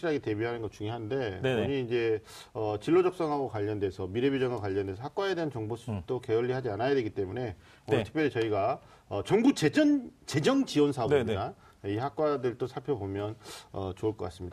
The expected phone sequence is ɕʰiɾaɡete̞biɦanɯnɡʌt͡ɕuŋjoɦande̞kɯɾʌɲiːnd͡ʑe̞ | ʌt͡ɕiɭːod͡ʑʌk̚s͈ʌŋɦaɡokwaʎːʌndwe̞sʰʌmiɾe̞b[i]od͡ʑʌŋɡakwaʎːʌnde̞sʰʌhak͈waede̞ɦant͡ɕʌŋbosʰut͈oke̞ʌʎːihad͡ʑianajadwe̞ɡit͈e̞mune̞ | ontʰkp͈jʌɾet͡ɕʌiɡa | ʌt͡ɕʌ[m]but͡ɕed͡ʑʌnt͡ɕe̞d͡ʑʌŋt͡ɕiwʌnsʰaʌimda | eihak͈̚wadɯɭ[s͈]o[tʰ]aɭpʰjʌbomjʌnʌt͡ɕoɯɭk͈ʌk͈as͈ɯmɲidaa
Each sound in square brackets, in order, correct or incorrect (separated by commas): incorrect, incorrect, incorrect, incorrect